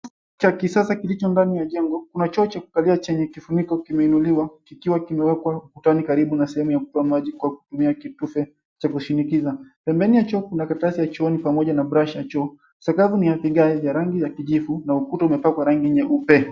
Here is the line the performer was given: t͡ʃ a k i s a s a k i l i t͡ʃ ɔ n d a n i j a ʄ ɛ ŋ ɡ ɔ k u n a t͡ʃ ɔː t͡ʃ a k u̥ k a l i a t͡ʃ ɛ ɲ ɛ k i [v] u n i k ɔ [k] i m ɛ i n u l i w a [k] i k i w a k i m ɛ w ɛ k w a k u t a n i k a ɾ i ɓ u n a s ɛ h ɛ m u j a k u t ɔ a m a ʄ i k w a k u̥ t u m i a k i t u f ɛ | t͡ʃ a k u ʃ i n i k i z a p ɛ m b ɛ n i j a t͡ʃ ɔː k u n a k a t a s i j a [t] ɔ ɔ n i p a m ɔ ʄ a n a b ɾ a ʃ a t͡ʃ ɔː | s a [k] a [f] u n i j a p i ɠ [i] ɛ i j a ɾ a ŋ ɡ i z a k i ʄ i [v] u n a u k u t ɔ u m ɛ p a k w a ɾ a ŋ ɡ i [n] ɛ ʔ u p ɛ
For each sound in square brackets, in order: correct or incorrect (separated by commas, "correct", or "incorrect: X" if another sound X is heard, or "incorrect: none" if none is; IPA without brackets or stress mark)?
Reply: incorrect: f, correct, correct, incorrect: t͡ʃ, correct, incorrect: v, incorrect: a, incorrect: f, incorrect: ɲ